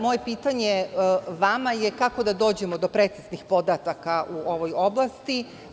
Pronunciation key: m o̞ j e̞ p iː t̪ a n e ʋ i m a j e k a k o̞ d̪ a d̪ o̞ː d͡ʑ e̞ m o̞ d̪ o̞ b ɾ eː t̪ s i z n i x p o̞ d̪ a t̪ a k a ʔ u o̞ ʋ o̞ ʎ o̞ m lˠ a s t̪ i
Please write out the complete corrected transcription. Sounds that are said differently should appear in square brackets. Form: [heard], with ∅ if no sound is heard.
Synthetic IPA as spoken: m o̞ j e̞ p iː t̪ a [ɲ] e ʋ [a] m a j e k a k o̞ d̪ a d̪ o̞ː d͡ʑ e̞ m o̞ d̪ o̞ [p] ɾ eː t̪ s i z n i x p o̞ d̪ a t̪ a k a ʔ u o̞ ʋ o̞ [j] o̞ [b] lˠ a s t̪ i

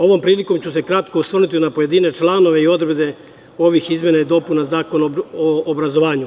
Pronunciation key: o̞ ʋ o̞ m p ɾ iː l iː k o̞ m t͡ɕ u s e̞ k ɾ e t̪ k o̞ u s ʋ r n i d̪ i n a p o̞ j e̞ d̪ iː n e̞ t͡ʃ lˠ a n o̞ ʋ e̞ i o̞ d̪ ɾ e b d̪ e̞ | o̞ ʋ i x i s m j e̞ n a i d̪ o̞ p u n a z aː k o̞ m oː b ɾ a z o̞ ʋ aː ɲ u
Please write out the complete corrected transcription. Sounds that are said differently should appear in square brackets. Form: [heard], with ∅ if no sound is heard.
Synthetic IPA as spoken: o̞ ʋ o̞ m p ɾ iː l [i] k o̞ m t͡ɕ u s e̞ k ɾ [a] t̪ k o̞ u s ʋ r n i [t̪] i n a p o̞ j e̞ d̪ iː n e̞ t͡ʃ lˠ a n o̞ ʋ e̞ i o̞ d̪ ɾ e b d̪ e̞ | o̞ ʋ i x i [z] m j e̞ n a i d̪ o̞ p u n a z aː k o̞ [n] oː b ɾ a z o̞ ʋ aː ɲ u

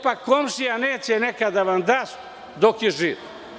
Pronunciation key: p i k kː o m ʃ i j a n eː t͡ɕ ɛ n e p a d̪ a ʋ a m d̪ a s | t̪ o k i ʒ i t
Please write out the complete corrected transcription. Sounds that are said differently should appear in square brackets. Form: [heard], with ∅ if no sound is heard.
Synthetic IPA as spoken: p [a] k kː o m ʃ i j a n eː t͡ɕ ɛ n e [k] a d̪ a ʋ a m d̪ a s | [d̪] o k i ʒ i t

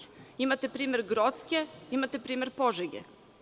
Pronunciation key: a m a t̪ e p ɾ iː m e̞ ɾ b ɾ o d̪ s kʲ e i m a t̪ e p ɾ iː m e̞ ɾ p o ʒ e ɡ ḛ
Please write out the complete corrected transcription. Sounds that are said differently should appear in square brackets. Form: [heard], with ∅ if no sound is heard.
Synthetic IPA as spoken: [i] m a t̪ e p ɾ iː m e̞ ɾ [ɡ] ɾ o [t̪] s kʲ e i m a t̪ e p ɾ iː m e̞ ɾ p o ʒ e ɡ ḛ

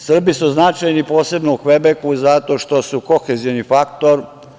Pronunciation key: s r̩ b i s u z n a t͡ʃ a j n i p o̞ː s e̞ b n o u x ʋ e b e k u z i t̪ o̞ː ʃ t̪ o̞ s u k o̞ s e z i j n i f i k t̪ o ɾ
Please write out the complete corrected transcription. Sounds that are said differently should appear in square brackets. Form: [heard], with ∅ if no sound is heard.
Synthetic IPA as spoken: s r̩ b i s u z n a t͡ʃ a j n i p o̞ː s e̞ b n o u x ʋ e b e k u z [a] t̪ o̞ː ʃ t̪ o̞ s u k o̞ [x] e z i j n i f [a] k t̪ o ɾ

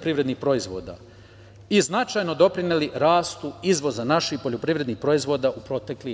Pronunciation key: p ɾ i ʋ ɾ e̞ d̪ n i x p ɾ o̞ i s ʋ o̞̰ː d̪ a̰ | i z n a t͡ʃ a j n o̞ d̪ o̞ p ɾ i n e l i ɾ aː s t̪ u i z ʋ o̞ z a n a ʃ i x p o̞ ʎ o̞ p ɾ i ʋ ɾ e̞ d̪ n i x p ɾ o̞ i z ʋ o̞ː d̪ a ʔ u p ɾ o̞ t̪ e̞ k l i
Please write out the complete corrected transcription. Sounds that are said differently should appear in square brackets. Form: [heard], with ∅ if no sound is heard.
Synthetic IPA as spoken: p ɾ i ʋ ɾ e̞ d̪ n i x p ɾ o̞ i [z] ʋ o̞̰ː d̪ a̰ | i z n a t͡ʃ a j n o̞ d̪ o̞ p ɾ i n e l i ɾ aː s t̪ u i z ʋ o̞ z a n a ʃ i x p o̞ ʎ o̞ p ɾ i ʋ ɾ e̞ d̪ n i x p ɾ o̞ i z ʋ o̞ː d̪ a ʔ u p ɾ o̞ t̪ e̞ k l i

